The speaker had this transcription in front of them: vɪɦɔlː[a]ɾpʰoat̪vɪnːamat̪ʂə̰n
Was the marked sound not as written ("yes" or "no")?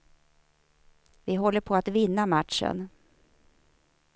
yes